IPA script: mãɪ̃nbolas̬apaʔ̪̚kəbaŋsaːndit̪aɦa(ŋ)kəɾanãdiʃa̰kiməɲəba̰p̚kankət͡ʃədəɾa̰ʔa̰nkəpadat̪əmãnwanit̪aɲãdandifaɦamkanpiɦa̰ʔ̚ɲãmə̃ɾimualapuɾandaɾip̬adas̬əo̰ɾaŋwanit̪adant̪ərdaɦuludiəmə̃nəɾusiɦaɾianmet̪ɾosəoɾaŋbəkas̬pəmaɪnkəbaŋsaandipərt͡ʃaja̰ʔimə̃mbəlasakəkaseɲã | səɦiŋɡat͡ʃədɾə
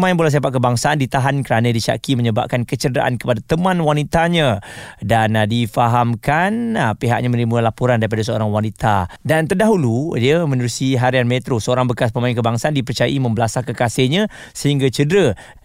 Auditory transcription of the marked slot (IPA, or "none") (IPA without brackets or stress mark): n